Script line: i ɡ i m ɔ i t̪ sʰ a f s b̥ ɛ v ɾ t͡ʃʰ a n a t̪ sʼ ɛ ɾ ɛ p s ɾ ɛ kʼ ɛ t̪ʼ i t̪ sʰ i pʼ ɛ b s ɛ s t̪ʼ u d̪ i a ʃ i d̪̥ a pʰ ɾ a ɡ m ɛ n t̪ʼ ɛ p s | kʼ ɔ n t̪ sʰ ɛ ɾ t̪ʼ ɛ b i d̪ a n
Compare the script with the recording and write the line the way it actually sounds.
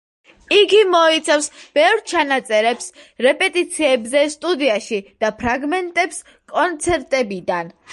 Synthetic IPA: i ɡ i m ɔ i t̪ sʰ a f s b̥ ɛ v ɾ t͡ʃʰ a n a t̪ sʼ ɛ ɾ ɛ p s ɾ ɛ pʼ ɛ t̪ʼ i t̪ sʰ i ɛ b z ɛ s t̪ʼ u d̪ i a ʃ i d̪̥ a pʰ ɾ a ɡ m ɛ n t̪ʼ ɛ p s | kʼ ɔ n t̪ sʰ ɛ ɾ t̪ʼ ɛ b i d̪ a n